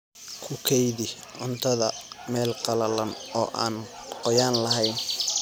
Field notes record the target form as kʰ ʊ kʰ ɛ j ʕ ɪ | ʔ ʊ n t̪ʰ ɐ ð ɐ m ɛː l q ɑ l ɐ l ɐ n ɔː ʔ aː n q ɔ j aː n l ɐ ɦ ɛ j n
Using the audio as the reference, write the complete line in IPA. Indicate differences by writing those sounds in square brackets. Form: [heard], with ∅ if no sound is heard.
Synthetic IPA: kʰ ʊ kʰ ɛ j [ð] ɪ | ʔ ʊ n t̪ʰ ɐ ð ɐ m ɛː l q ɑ l ɐ l ɐ n ɔː ʔ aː n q ɔ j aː n l ɐ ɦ ɛ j n

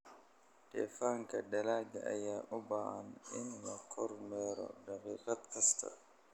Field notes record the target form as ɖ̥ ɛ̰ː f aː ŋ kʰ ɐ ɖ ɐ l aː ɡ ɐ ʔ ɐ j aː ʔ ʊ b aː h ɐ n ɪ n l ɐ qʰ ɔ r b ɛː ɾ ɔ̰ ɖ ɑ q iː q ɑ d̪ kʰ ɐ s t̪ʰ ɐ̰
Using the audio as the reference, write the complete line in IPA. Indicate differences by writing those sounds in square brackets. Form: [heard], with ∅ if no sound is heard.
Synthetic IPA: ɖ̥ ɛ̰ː f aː ŋ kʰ ɐ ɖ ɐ l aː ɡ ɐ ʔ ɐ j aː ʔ ʊ b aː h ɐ n ɪ n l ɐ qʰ ɔ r [m] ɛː ɾ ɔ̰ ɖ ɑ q iː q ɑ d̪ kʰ ɐ s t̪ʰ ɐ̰

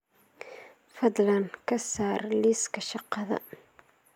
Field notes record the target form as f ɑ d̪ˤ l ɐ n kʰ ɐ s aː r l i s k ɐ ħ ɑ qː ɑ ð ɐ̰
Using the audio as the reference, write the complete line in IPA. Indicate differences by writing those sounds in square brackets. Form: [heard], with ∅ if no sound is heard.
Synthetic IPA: f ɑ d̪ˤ l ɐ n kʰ ɐ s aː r l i s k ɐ [ʃ] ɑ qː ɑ ð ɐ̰

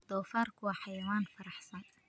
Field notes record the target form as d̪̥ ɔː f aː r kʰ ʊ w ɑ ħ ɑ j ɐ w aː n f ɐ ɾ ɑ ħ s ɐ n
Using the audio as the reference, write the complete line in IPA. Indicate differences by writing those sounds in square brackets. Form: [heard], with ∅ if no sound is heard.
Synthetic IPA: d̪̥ ɔː f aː r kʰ ʊ w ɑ ħ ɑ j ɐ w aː n f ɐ ɾ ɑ ħ s ɐ n

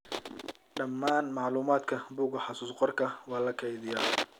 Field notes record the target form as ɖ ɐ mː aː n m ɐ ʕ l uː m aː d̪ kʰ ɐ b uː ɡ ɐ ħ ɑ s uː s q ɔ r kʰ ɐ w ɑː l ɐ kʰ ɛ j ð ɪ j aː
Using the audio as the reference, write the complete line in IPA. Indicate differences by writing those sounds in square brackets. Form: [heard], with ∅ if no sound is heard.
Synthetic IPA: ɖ ɐ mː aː n m [ɑ] ʕ l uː m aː d̪ kʰ ɐ b uː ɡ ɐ ħ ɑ s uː s q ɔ r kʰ ɐ w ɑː l ɐ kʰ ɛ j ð ɪ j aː

